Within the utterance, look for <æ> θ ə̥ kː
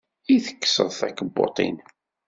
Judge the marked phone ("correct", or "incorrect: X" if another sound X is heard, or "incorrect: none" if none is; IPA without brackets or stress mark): incorrect: i